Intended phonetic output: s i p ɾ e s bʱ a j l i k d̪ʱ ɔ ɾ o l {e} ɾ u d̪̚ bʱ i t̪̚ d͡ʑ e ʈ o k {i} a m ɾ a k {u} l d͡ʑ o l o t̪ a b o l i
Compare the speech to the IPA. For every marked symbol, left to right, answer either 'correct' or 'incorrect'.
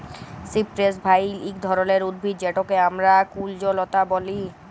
correct, incorrect: e, correct

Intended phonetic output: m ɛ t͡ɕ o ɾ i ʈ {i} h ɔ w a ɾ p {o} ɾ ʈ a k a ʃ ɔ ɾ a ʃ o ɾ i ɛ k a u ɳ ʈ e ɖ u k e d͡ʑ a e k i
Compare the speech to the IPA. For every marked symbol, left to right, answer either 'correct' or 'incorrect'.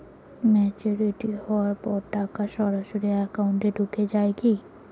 correct, incorrect: ɔ

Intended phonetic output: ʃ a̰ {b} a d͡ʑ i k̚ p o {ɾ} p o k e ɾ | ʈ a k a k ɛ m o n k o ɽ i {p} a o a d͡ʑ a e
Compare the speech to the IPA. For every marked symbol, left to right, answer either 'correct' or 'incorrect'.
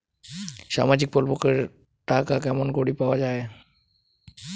incorrect: m, incorrect: l, correct

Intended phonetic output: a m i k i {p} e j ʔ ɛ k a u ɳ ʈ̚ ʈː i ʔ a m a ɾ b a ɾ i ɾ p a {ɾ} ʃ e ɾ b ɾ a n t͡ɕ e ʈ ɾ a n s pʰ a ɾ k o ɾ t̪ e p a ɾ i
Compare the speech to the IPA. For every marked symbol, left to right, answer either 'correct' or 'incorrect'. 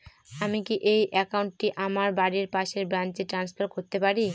incorrect: ʔ, incorrect: none

